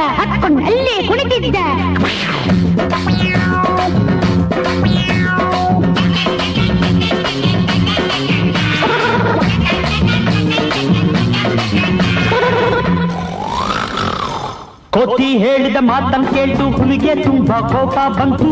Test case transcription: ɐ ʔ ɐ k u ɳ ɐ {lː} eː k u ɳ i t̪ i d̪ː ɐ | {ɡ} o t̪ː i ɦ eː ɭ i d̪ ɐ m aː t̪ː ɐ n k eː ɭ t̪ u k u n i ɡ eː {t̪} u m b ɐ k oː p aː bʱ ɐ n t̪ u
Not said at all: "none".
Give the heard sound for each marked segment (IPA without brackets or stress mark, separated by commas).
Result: lː, k, t̪